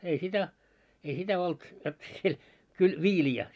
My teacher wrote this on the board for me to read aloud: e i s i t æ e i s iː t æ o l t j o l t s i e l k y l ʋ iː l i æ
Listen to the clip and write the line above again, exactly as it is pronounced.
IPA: e i s i t æ e i s i t æ o l t j o t s i e l k y l ʋ iː l i æ